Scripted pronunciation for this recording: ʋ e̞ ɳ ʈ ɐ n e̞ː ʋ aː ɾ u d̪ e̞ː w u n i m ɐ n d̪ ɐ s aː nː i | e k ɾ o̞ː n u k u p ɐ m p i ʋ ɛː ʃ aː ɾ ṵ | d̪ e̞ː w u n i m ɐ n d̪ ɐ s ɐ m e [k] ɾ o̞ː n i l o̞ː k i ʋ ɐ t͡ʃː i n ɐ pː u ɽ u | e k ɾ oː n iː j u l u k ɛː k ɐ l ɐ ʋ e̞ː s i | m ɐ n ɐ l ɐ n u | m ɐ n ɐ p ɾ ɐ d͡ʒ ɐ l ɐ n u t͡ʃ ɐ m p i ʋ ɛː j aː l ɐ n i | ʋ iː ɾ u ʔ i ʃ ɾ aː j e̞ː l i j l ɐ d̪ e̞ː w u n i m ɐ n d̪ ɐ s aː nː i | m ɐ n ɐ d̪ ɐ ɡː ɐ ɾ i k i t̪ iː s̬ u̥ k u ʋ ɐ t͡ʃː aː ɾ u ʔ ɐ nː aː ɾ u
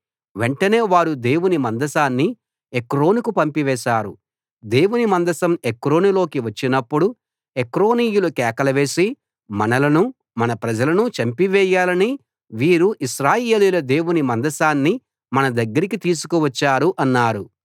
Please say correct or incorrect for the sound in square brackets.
correct